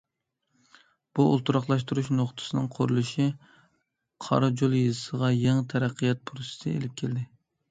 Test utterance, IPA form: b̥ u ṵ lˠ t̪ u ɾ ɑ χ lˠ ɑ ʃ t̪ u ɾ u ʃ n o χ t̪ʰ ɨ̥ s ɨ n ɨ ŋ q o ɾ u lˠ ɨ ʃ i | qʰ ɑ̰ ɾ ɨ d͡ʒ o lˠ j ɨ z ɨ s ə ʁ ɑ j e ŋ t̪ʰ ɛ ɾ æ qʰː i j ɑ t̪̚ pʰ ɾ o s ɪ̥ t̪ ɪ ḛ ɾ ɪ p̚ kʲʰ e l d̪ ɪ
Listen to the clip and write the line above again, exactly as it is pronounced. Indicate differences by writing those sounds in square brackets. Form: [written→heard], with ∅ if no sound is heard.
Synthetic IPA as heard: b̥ u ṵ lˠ t̪ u ɾ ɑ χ lˠ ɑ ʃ t̪ u ɾ u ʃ n o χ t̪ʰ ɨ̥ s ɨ n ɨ ŋ [q→qʰ] o ɾ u lˠ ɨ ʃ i | qʰ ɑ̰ ɾ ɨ d͡ʒ o lˠ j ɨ z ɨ s ə ʁ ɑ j e ŋ t̪ʰ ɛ ɾ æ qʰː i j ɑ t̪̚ pʰ ɾ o s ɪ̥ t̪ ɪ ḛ [ɾ→l] ɪ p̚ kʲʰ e l d̪ ɪ